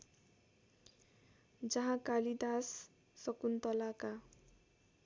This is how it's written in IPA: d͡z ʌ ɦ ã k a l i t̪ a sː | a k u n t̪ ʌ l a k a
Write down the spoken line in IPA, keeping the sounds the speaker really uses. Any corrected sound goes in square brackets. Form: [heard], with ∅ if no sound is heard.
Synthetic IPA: d͡z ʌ ɦ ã k a l i [d̪] a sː | [ʌ] k u n t̪ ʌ l a k a